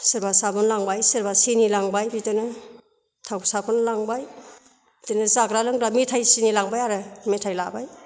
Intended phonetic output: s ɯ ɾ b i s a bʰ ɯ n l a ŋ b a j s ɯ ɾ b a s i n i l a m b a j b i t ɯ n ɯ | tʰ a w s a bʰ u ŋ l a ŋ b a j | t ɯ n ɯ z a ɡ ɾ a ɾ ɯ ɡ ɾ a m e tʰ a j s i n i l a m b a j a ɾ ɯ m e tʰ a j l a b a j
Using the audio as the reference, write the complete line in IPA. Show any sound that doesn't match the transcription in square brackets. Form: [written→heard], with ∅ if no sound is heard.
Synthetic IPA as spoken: s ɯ ɾ b [i→a] s a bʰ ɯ n l a ŋ b a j s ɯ ɾ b a s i n i l a [m→ŋ] b a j b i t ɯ n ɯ | tʰ a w s a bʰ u [ŋ→n] l a ŋ b a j | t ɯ n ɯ z a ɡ ɾ a [ɾ→l] ɯ [ɡ→ŋ] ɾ a m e tʰ a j s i n i l a [m→ŋ] b a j a ɾ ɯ m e tʰ a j l a b a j